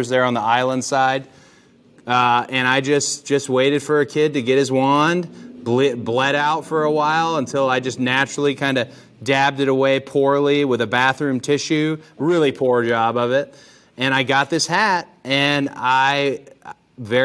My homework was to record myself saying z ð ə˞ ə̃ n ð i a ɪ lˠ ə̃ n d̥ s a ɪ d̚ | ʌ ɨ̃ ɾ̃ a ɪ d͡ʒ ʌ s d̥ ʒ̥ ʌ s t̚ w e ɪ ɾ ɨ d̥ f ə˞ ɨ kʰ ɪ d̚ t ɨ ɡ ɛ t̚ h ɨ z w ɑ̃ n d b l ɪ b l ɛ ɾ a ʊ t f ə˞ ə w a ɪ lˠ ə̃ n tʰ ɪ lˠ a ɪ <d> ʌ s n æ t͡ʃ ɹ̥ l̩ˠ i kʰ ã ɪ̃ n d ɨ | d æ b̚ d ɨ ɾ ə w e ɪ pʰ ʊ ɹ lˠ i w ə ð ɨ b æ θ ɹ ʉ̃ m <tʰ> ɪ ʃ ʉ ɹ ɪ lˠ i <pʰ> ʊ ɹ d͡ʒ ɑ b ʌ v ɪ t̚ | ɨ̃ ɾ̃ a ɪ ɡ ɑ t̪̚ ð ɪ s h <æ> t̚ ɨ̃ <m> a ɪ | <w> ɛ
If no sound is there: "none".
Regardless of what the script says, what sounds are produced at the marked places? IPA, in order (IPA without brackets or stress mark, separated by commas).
d͡ʒ, tʰ, pʰ, æ, n, v